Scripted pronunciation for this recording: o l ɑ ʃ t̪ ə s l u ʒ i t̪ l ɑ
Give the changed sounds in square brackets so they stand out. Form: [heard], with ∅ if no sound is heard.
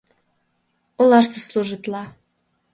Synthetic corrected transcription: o l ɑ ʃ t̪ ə s l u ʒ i t̪ l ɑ